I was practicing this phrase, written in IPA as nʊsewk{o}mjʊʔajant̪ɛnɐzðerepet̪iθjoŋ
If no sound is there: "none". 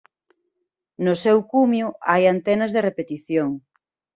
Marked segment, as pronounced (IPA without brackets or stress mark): u